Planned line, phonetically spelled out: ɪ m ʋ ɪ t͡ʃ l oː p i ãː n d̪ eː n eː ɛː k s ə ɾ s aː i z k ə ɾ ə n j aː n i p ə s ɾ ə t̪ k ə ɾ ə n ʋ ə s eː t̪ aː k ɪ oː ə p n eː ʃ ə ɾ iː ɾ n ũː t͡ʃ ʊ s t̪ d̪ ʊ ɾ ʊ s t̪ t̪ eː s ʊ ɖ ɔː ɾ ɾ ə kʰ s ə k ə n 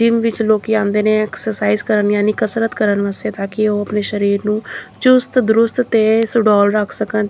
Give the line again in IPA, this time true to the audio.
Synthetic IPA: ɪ m ʋ ɪ t͡ʃ l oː k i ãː n d̪ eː n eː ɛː k s ə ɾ s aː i z k ə ɾ ə n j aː n i k ə s ɾ ə t̪ k ə ɾ ə n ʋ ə s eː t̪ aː k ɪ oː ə p n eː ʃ ə ɾ iː ɾ n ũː t͡ʃ ʊ s t̪ d̪ ʊ ɾ ʊ s t̪ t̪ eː s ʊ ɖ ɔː l ɾ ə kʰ s ə k ə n